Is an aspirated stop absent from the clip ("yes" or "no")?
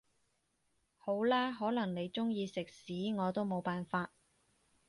yes